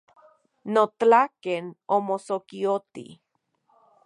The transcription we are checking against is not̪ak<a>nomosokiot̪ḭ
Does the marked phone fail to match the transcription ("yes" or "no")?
yes